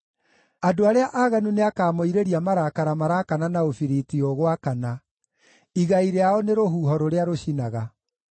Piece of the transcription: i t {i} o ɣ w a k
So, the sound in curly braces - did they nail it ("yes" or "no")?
yes